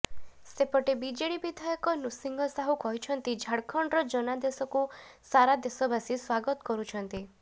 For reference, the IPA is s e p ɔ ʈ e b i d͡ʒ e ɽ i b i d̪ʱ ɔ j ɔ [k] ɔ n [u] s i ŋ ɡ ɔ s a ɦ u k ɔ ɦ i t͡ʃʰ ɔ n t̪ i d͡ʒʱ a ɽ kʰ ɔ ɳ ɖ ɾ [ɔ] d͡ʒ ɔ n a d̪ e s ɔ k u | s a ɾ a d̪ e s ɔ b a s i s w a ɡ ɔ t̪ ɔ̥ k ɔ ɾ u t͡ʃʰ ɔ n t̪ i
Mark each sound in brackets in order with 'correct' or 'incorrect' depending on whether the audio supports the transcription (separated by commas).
correct, correct, correct